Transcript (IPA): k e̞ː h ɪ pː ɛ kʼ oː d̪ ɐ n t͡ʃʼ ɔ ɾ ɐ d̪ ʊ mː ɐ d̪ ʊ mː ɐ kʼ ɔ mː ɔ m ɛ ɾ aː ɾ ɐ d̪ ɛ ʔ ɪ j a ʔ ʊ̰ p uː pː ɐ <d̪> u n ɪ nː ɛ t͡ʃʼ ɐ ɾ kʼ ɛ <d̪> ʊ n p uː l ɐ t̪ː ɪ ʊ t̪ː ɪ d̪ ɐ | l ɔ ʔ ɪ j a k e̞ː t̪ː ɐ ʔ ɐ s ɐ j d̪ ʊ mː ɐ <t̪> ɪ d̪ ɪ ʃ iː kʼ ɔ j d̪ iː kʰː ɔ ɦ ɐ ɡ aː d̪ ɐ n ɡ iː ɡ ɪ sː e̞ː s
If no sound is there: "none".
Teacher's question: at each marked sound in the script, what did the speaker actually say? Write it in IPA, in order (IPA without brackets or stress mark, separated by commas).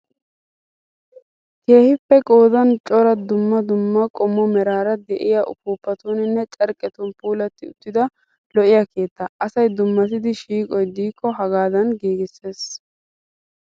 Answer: t̪, t̪, t̪